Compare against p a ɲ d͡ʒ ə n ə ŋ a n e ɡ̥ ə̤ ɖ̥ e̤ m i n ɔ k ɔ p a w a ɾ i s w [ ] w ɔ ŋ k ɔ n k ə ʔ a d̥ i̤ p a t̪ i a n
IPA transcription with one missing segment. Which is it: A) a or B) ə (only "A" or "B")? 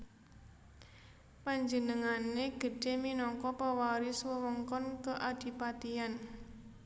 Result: B